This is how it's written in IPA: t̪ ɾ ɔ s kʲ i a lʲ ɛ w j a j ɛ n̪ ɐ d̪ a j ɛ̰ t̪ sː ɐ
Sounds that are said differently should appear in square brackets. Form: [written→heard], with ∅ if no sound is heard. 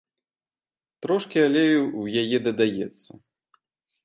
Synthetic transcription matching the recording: t̪ ɾ ɔ [s→ʂ] kʲ i a lʲ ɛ w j a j ɛ [n̪→d̪] ɐ d̪ a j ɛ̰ t̪ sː ɐ